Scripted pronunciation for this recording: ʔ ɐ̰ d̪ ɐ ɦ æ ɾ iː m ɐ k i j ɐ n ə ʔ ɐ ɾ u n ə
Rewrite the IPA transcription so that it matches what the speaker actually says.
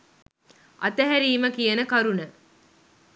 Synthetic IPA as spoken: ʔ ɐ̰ t̪ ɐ ɦ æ ɾ iː m ə k i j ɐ n ə k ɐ ɾ u n ə

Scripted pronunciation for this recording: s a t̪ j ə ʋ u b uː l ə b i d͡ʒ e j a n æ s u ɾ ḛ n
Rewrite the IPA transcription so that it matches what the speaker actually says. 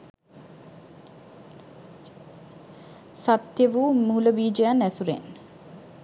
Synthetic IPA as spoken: s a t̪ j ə ʋ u m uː l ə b iː d͡ʒ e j a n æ s u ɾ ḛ n

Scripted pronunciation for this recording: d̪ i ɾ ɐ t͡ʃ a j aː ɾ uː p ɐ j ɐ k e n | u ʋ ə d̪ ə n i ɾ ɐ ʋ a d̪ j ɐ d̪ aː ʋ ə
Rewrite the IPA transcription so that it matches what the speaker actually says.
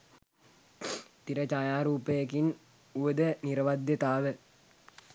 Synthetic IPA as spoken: t̪ i ɾ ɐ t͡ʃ a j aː ɾ uː p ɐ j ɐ k i n | u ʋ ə d̪ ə n i ɾ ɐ ʋ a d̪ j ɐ t̪ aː ʋ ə

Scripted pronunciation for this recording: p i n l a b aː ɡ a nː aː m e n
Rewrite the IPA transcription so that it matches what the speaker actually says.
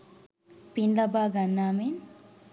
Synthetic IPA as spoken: p i n l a b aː ɡ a nː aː m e n

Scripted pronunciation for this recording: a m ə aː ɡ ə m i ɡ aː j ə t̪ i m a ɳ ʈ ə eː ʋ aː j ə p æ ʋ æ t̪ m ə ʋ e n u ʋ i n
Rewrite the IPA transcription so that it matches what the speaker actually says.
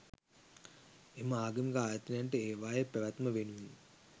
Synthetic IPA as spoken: e m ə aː ɡ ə m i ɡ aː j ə t̪ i n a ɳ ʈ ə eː ʋ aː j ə p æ ʋ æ t̪ m ə ʋ e n u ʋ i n

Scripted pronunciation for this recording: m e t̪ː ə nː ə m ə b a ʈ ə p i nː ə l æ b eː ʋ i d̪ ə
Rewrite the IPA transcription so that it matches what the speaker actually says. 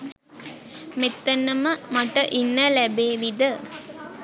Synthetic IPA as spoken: m e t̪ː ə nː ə m ə m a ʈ ə ʔ i nː ə l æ b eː ʋ i d̪ ə

